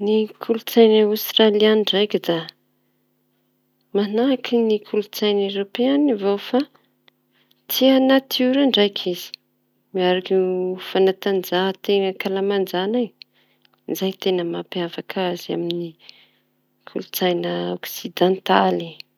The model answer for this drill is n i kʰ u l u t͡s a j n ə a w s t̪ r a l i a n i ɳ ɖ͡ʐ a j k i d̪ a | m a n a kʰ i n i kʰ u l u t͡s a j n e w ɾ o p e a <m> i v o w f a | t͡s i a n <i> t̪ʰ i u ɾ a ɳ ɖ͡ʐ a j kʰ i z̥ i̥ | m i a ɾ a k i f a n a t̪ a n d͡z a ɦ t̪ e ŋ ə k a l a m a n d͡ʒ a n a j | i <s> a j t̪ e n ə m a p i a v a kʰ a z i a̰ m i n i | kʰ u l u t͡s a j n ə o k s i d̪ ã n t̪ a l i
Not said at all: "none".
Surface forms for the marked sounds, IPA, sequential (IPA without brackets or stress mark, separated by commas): n, a, z